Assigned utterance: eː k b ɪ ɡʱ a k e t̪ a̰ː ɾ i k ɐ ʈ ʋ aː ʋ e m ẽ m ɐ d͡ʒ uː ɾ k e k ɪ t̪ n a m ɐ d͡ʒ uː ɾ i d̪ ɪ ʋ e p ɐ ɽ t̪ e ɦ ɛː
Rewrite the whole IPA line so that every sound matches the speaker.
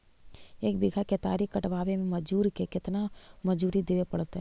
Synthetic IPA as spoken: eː k b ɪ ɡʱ a k e t̪ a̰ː ɾ i k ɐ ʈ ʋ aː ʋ e m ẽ m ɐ d͡ʒ uː ɾ k e k ɪ t̪ n a m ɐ d͡ʒ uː ɾ i d̪ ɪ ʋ e p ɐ ɽ t̪ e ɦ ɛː